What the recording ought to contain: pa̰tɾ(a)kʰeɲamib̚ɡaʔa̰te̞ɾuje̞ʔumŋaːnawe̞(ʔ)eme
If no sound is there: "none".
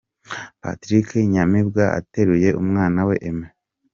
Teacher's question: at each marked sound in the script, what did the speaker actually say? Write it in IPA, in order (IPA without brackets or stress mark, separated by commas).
i, ʔ